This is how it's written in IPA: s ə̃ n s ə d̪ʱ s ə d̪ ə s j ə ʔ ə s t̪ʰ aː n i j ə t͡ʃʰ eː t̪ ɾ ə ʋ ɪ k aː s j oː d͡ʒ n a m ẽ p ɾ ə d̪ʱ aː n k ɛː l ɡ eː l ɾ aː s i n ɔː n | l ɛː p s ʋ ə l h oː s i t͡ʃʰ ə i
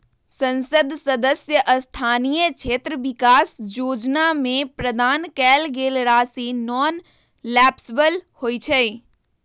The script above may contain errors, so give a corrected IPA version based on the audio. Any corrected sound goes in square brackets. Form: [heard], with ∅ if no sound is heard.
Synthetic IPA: s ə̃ n s ə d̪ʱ s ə d̪ ə s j ə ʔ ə s t̪ʰ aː n i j ə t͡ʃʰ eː t̪ ɾ ə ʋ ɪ k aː s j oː d͡ʒ n a m ẽ p ɾ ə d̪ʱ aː n k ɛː l ɡ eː l ɾ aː s i n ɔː n | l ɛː p s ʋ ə l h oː [∅] i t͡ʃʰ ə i